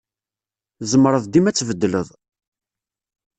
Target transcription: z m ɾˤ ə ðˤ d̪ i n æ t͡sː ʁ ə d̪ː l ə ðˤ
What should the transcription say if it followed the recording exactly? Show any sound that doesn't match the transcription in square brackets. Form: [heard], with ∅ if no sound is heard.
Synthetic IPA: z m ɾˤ ə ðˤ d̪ i [m] æ t͡sː [v] ə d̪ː l ə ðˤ